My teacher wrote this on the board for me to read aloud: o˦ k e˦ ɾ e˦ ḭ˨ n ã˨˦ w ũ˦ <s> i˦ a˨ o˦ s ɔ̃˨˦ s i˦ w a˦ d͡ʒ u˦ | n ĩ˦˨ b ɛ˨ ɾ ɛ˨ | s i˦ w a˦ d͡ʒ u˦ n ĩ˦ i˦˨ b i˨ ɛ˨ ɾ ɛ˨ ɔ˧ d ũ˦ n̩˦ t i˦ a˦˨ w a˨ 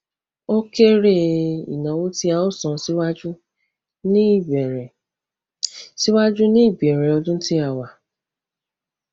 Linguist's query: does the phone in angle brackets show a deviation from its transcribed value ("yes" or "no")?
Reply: yes